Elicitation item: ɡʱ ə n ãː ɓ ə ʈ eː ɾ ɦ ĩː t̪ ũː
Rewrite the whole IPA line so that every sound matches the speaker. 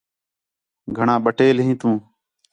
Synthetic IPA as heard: ɡʱ ə ɳ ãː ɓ ə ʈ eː l ɦ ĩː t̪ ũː